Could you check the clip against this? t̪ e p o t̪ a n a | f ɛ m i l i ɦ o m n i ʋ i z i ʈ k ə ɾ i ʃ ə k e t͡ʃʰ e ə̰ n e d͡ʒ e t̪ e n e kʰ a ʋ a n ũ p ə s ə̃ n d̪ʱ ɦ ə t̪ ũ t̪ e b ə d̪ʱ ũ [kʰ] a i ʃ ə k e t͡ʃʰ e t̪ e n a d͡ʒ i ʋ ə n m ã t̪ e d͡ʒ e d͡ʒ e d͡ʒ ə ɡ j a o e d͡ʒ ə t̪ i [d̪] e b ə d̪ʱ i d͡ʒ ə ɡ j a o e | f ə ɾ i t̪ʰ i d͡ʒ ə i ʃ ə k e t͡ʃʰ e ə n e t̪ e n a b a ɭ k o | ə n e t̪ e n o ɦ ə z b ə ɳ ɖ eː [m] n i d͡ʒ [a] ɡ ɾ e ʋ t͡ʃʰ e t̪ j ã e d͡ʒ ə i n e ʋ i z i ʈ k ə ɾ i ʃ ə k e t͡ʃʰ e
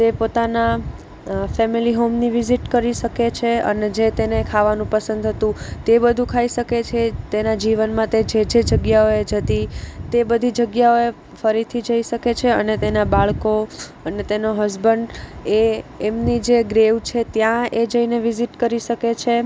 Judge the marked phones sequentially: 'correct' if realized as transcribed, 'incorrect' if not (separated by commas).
correct, incorrect, correct, incorrect